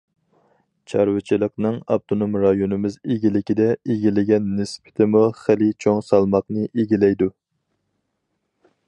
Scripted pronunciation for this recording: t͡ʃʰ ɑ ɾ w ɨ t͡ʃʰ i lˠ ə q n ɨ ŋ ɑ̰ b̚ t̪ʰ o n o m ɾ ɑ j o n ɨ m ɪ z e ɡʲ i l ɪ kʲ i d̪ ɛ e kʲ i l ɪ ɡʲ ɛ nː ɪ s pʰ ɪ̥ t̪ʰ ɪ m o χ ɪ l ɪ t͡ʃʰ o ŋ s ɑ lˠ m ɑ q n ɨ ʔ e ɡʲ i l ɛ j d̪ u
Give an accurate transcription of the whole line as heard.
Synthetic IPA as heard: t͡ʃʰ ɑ ɾ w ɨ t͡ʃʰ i lˠ ə q n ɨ ŋ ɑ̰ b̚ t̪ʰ o n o m ɾ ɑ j o n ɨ m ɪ z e ɡʲ i l ɪ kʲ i d̪ ɛ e ɡʲ i l ɪ ɡʲ ɛ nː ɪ s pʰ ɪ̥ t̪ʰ ɪ m u χ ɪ l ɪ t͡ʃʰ o ŋ s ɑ lˠ m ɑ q n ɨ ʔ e ɡʲ i l ɛ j d̪ u